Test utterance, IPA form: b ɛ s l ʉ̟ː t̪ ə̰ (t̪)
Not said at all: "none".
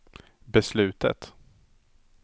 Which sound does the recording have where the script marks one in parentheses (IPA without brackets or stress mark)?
t̪